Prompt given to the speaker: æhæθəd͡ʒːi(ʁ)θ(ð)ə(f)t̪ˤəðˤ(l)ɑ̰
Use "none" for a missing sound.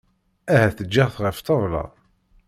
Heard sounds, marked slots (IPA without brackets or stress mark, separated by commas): ʁ, ʁ, f, l